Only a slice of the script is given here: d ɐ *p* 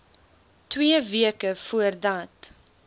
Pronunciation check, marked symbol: incorrect: t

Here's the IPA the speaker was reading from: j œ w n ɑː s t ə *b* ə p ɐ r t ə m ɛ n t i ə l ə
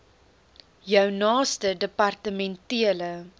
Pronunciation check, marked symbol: incorrect: d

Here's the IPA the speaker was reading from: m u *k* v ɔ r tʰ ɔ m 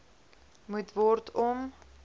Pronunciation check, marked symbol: incorrect: t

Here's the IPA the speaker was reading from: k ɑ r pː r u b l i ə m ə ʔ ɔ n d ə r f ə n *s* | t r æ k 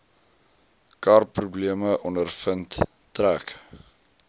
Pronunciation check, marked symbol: incorrect: t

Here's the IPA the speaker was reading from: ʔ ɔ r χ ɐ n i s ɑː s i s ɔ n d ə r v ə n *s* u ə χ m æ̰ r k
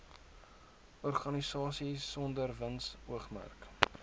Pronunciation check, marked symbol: correct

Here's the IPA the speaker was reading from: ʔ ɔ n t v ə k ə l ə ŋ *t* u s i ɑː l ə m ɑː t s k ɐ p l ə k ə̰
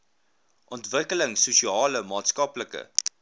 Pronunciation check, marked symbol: incorrect: s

